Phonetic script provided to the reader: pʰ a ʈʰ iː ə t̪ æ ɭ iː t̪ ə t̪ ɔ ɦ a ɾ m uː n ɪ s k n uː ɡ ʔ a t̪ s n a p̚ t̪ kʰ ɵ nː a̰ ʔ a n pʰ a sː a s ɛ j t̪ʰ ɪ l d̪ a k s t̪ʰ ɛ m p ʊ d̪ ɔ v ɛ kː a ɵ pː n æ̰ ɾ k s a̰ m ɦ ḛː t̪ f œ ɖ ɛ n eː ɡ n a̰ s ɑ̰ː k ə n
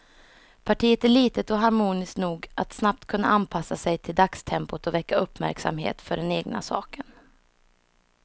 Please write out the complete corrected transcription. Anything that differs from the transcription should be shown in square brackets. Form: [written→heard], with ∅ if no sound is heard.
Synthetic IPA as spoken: pʰ a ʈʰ iː ə t̪ æ ɭ iː t̪ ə t̪ ɔ ɦ a ɾ m uː n ɪ s k n uː ɡ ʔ a t̪ s n a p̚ t̪ kʰ ɵ nː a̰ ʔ a n pʰ a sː a s ɛ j t̪ʰ ɪ l d̪ a k s t̪ʰ ɛ m p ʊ [d̪→t̪] ɔ v ɛ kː a ɵ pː [n→m] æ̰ ɾ k s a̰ m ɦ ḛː t̪ f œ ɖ ɛ n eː ɡ n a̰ s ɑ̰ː k ə n

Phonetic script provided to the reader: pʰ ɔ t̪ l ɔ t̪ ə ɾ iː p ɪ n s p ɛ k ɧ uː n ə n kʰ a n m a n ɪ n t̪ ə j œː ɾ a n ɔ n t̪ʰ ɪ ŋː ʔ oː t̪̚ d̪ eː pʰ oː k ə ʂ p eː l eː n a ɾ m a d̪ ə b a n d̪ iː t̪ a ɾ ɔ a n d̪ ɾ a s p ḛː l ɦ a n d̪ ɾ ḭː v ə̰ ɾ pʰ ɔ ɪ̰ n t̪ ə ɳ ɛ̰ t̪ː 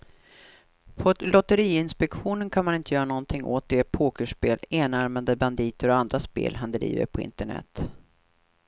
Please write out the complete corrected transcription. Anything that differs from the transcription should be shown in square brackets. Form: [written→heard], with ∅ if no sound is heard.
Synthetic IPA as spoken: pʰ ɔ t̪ l ɔ t̪ ə ɾ iː [p→∅] ɪ n s p ɛ k ɧ uː n ə n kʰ a n m a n ɪ n t̪ ə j œː ɾ a n ɔ n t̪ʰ ɪ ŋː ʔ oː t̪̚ d̪ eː pʰ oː k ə ʂ p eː l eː n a ɾ m a d̪ ə b a n d̪ iː t̪ [a→ə] ɾ ɔ a n d̪ ɾ a s p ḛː l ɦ a n d̪ ɾ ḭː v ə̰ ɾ pʰ ɔ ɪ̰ n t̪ ə ɳ ɛ̰ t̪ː

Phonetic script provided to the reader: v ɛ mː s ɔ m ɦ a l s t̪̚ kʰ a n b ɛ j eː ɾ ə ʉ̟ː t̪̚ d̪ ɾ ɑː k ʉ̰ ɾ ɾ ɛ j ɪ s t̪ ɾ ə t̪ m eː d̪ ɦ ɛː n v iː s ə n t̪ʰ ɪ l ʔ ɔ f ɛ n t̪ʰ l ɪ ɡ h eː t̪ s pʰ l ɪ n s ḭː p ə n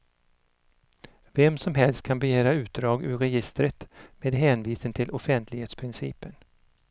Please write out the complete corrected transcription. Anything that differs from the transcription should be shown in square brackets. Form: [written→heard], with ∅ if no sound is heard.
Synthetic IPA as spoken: v ɛ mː s ɔ m ɦ [a→ɛ] l s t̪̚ kʰ a n b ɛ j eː ɾ [ə→a] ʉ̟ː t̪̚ d̪ ɾ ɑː [k→ɡ] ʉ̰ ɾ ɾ ɛ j ɪ s t̪ ɾ ə t̪ m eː d̪ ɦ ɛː n v iː s ə n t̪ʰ ɪ l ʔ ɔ f ɛ n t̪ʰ l ɪ ɡ h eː t̪ s pʰ [l→ɾ] ɪ n s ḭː p ə n

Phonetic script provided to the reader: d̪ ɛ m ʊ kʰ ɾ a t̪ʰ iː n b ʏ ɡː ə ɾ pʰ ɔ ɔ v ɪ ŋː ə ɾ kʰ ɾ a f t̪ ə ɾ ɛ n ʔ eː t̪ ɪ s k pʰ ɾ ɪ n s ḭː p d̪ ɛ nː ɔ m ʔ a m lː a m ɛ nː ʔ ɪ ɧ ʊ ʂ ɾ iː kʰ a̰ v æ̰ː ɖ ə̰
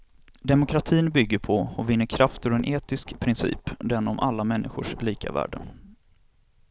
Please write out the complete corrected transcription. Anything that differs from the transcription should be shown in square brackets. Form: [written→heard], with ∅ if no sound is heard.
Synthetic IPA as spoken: d̪ ɛ m ʊ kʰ ɾ a t̪ʰ iː n b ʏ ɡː ə ɾ pʰ ɔ ɔ v ɪ [ŋː→nː] ə ɾ kʰ ɾ a f t̪ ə ɾ ɛ n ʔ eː t̪ ɪ s k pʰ ɾ ɪ n s ḭː p d̪ ɛ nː ɔ m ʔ a [m→∅] lː a m ɛ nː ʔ ɪ ɧ ʊ ʂ [ɾ→l] iː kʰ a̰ v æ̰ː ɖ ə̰

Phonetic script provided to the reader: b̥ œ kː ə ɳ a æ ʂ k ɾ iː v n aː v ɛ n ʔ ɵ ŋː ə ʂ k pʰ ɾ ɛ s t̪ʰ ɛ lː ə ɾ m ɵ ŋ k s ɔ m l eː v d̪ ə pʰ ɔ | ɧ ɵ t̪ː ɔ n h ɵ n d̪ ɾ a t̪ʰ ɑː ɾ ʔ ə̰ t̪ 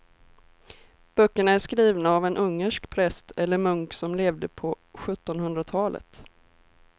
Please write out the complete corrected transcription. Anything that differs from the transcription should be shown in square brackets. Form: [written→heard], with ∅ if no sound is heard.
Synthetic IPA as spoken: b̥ œ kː ə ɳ a æ ʂ k ɾ iː v n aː v ɛ n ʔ ɵ ŋː ə ʂ k pʰ ɾ ɛ s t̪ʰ ɛ lː ə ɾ m ɵ ŋ k s ɔ m l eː v d̪ ə pʰ ɔ | ɧ ɵ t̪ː ɔ n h ɵ n d̪ ɾ a t̪ʰ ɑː [ɾ→l] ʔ ə̰ t̪

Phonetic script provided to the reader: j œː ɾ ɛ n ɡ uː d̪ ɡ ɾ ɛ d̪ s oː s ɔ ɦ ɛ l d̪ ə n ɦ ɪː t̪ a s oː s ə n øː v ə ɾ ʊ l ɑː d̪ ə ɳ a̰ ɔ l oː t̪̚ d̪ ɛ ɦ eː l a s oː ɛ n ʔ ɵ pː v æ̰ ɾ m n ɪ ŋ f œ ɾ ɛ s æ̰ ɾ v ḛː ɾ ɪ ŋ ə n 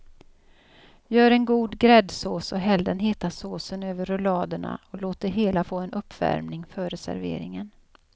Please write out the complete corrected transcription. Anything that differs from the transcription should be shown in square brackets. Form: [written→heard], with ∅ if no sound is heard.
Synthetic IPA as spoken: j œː ɾ ɛ n ɡ uː d̪ ɡ ɾ ɛ d̪ s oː s ɔ ɦ ɛ l d̪ ə n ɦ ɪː t̪ a s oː s ə n øː v ə ɾ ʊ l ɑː d̪ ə ɳ a̰ ɔ l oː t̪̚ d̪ ɛ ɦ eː l a [s→f] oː ɛ n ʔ ɵ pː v æ̰ ɾ m n ɪ ŋ f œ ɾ ɛ s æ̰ ɾ v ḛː ɾ ɪ ŋ ə n

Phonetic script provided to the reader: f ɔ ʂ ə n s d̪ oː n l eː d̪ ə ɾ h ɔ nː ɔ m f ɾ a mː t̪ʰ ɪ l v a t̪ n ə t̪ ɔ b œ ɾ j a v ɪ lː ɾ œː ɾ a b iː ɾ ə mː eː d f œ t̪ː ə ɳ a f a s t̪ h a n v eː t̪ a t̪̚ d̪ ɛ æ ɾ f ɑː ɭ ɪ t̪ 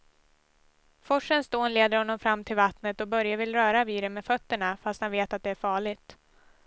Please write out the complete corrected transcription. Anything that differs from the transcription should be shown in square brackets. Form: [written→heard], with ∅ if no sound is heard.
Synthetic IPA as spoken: f ɔ ʂ ə n s d̪ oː n l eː d̪ ə ɾ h ɔ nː ɔ m f ɾ a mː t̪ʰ ɪ l v a t̪ n ə t̪ ɔ b œ ɾ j a v ɪ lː ɾ œː ɾ a [b→v] iː ɾ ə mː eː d f œ t̪ː ə ɳ a f a s t̪ h a n v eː t̪ a t̪̚ d̪ ɛ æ ɾ f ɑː ɭ ɪ t̪

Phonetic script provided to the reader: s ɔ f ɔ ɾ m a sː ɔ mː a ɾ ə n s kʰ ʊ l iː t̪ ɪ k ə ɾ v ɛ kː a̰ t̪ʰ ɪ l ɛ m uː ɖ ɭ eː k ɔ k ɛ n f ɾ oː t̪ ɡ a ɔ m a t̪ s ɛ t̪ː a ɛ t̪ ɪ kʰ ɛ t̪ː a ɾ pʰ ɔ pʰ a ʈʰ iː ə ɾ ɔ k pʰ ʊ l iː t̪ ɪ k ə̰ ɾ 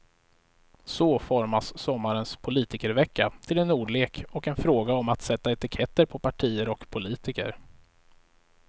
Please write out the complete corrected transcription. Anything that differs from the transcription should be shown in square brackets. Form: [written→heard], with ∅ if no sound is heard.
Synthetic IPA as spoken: s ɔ f ɔ ɾ m a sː ɔ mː a ɾ ə n s [kʰ→pʰ] ʊ l iː t̪ ɪ k ə ɾ v ɛ kː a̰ t̪ʰ ɪ l ɛ [m→n] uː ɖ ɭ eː k ɔ k ɛ n f ɾ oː [t̪→∅] ɡ a ɔ m a t̪ s ɛ t̪ː a ɛ t̪ ɪ kʰ ɛ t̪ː [a→ə] ɾ pʰ ɔ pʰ a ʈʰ iː ə ɾ ɔ k pʰ ʊ l iː t̪ ɪ k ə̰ ɾ

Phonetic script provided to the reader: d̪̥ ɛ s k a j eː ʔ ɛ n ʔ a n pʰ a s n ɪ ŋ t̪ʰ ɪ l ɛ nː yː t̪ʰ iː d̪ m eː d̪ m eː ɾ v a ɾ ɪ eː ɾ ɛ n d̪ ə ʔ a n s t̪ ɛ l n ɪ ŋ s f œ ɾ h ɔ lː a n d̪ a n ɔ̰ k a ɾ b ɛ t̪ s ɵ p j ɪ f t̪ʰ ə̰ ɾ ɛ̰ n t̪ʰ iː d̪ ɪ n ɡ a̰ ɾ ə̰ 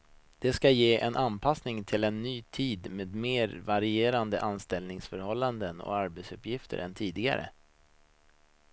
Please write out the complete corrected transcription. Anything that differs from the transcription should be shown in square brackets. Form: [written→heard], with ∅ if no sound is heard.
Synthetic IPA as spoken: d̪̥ ɛ s k a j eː ʔ ɛ n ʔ a n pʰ a s n ɪ ŋ t̪ʰ ɪ l ɛ nː yː t̪ʰ iː d̪ m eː d̪ m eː ɾ v a ɾ ɪ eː ɾ [ɛ→a] n d̪ ə ʔ a n s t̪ ɛ l n ɪ ŋ s f œ ɾ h ɔ lː a n d̪ [a→ə] n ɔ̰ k a ɾ b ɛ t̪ s ɵ p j ɪ f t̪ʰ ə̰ ɾ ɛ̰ n t̪ʰ iː d̪ ɪ [n→∅] ɡ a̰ ɾ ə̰

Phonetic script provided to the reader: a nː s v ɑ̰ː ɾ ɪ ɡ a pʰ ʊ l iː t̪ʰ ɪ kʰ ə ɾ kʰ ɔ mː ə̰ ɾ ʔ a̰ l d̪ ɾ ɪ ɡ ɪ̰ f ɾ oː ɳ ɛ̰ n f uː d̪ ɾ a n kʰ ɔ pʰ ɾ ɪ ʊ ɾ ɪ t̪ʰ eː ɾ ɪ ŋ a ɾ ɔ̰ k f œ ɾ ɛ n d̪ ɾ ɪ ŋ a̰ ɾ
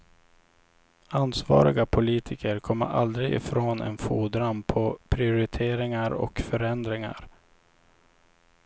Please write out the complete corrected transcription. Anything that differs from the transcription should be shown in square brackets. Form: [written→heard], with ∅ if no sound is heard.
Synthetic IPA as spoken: a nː s v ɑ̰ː ɾ ɪ ɡ a pʰ ʊ l iː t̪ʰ ɪ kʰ ə ɾ kʰ ɔ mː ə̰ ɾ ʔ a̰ l d̪ ɾ ɪ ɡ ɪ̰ f ɾ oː [ɳ→n] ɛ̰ n f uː d̪ ɾ a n [kʰ→pʰ] ɔ pʰ ɾ ɪ ʊ ɾ ɪ t̪ʰ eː ɾ ɪ ŋ a ɾ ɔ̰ k f œ ɾ ɛ n d̪ ɾ ɪ ŋ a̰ ɾ

